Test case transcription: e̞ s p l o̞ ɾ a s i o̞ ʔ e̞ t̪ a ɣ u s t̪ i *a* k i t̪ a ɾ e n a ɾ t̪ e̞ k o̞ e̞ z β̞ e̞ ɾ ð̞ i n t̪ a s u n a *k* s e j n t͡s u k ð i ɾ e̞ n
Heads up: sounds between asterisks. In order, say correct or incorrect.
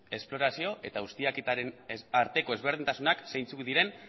correct, correct

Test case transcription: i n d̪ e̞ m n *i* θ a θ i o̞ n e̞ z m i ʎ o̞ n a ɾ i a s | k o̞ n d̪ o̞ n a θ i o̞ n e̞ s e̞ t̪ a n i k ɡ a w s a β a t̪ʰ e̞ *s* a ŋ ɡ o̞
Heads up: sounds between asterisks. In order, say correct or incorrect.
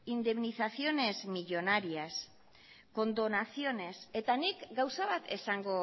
correct, correct

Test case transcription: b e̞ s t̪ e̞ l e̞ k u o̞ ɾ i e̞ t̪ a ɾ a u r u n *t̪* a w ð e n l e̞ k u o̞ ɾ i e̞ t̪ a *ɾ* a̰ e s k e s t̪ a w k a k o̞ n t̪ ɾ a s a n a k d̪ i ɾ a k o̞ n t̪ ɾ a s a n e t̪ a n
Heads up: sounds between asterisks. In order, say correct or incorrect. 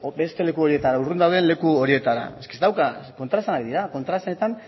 incorrect: d̪, correct

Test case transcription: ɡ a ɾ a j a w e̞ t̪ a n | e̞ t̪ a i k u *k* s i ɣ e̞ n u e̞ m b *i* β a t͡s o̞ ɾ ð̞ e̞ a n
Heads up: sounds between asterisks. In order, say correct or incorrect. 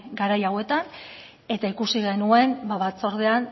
incorrect: none, incorrect: a

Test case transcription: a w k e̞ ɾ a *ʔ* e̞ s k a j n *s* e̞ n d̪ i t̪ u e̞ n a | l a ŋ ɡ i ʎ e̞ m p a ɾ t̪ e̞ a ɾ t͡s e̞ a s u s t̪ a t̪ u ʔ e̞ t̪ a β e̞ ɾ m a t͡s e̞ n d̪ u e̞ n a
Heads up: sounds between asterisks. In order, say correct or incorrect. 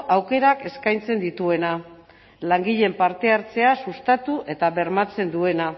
incorrect: k, incorrect: t͡s

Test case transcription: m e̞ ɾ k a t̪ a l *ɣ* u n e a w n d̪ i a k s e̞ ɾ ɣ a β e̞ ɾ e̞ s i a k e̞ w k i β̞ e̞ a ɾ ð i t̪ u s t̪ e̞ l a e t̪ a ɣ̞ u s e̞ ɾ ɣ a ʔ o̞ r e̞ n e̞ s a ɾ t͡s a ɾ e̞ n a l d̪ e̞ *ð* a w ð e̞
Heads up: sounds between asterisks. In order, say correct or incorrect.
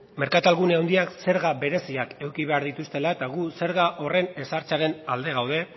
correct, incorrect: ɣ

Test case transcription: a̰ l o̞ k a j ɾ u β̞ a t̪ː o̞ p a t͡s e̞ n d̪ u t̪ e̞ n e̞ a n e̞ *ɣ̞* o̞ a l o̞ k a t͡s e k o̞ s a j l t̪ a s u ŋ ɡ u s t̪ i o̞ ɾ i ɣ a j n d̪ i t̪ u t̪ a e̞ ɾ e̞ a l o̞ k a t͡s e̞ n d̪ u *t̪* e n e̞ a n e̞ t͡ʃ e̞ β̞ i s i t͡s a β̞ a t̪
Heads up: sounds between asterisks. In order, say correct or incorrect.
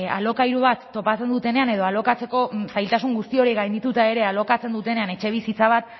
incorrect: ð̞, correct

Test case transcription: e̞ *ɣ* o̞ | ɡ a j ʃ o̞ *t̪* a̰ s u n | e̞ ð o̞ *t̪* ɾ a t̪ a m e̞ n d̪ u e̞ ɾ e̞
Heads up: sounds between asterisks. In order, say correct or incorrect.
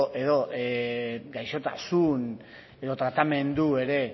incorrect: ð, correct, correct

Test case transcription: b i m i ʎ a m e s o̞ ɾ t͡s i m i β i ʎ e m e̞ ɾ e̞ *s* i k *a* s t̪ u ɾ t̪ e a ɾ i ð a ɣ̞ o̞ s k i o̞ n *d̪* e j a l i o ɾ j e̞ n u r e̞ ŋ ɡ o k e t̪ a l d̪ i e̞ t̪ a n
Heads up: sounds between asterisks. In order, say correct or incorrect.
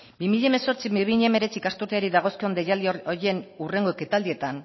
incorrect: t͡s, correct, correct

